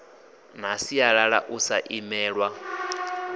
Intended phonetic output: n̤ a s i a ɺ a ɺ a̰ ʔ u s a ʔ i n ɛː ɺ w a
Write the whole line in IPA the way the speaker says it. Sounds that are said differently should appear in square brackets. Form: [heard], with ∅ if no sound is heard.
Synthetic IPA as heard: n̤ a s i a ɺ a ɺ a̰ ʔ u s a ʔ i [m] ɛː ɺ w a

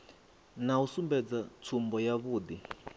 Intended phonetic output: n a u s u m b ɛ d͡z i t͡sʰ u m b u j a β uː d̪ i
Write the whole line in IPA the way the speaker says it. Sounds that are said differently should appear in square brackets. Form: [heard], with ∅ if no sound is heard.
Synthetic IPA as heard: n a u s u m b ɛ d͡z [a] t͡sʰ u m b [ɔ] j a β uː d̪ i

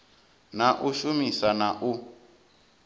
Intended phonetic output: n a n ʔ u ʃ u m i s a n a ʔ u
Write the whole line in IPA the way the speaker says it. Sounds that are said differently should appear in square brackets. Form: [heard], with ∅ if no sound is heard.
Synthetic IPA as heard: n a [∅] ʔ u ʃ u m i s a n a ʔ u

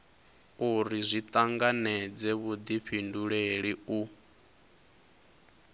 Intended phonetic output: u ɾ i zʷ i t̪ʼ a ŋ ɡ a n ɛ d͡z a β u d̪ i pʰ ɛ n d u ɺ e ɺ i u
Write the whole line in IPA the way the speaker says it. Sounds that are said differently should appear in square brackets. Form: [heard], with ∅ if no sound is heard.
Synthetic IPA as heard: u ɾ i zʷ i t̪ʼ a ŋ ɡ a n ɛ d͡z [ɛ] β u d̪ i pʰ [i] n d u ɺ e ɺ i u

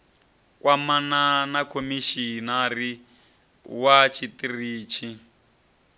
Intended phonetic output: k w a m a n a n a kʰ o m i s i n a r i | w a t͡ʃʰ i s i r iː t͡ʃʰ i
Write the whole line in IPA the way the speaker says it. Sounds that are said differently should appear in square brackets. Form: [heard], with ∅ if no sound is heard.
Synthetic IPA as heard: k w a m a n a n a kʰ o m i [ʃ] i n a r i | w a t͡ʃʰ i [t] i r iː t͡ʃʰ i

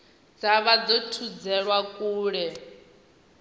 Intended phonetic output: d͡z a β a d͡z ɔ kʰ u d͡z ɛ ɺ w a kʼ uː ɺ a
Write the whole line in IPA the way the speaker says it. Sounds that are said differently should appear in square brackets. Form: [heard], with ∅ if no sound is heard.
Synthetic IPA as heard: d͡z a β a d͡z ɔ [tʰ] u d͡z ɛ ɺ w a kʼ uː ɺ [ɛ]

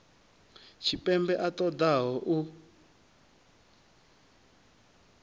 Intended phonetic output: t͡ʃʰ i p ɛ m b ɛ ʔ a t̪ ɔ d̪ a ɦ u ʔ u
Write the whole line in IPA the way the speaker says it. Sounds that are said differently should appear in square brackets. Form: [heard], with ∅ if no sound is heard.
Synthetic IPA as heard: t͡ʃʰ i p ɛ m b ɛ ʔ a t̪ ɔ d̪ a ɦ [ɔ] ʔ u

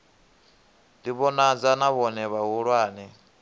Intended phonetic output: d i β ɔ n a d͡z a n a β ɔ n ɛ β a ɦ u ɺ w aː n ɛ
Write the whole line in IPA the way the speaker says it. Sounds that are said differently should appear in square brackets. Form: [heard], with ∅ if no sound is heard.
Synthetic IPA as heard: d i β ɔ n a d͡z a n a β ɔ n ɛ β a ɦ u ɺ w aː n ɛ

